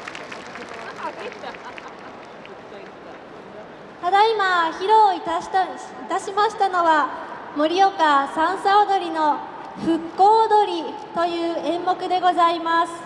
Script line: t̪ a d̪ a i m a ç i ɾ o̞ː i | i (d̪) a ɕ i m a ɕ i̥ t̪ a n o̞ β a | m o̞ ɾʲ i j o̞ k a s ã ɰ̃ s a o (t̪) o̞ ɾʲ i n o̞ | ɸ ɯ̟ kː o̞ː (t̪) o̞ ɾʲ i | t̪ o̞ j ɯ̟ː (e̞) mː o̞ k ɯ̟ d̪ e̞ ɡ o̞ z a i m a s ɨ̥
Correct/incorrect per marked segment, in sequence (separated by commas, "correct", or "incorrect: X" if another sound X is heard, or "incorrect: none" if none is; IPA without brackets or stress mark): incorrect: t̪, incorrect: d̪, incorrect: d̪, incorrect: ẽ̞